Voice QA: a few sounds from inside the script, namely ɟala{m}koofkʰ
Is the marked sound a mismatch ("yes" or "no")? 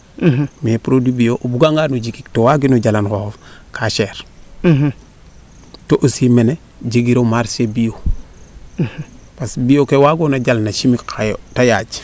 yes